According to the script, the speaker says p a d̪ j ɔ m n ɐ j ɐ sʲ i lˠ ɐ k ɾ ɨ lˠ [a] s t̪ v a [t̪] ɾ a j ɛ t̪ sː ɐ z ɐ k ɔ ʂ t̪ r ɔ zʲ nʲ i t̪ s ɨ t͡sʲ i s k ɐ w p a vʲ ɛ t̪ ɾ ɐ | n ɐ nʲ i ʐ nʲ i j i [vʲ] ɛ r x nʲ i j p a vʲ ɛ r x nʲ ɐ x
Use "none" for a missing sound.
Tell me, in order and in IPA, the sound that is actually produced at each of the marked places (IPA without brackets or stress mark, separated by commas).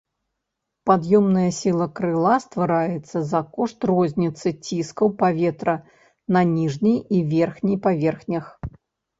a, none, vʲ